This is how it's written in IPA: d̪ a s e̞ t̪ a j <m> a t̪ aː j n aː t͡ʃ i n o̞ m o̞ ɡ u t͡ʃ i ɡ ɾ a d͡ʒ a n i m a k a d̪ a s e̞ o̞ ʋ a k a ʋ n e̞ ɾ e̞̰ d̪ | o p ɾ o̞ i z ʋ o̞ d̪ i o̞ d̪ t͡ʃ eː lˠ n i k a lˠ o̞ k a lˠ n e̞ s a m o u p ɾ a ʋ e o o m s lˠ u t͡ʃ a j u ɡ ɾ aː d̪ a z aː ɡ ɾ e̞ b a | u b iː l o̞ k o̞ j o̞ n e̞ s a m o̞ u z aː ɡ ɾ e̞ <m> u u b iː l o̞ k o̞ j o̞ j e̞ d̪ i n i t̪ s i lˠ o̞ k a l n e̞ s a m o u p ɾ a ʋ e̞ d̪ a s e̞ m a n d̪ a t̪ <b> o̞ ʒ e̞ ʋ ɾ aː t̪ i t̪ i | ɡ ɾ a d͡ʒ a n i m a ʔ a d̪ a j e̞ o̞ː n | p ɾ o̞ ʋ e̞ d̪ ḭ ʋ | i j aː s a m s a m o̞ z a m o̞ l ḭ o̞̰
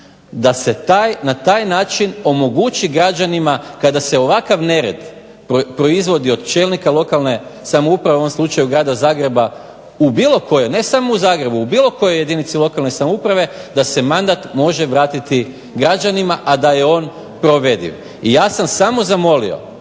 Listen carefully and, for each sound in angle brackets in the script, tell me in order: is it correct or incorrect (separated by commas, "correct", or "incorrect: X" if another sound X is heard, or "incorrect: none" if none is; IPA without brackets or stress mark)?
incorrect: n, incorrect: b, incorrect: m